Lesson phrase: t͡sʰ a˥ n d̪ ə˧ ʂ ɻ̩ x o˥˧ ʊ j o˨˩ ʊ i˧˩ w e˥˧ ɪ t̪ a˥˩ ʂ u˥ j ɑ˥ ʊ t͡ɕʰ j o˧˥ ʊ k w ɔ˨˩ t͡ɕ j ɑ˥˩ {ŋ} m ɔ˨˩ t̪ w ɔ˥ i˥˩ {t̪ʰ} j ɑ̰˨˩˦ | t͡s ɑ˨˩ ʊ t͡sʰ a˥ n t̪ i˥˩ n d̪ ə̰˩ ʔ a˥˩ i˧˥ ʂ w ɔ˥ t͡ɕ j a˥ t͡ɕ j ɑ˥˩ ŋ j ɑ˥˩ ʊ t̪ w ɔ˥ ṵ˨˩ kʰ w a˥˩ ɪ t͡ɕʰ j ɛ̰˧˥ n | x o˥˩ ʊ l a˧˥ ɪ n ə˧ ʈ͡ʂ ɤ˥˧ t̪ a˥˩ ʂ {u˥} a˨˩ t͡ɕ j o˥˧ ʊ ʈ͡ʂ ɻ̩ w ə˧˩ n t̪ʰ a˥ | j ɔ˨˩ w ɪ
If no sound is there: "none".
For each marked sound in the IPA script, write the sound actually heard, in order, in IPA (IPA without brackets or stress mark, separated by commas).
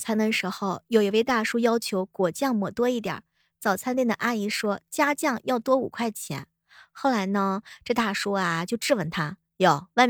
ŋ, t̪, u˥